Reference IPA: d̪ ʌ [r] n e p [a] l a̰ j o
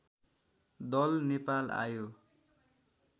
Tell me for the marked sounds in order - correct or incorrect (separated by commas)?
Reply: incorrect, correct